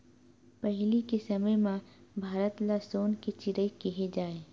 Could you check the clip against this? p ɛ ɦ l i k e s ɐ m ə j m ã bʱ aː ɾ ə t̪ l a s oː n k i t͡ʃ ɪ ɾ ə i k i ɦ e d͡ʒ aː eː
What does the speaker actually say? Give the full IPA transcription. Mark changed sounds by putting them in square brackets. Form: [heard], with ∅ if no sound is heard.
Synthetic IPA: p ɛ ɦ l i k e s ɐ m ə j m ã bʱ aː ɾ ə t̪ l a s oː n k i t͡ʃ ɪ ɾ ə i k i ɦ e d͡ʒ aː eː